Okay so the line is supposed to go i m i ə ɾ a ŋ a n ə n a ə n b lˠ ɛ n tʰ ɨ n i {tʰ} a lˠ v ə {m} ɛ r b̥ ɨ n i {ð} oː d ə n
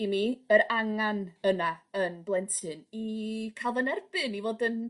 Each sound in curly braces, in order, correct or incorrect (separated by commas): incorrect, incorrect, incorrect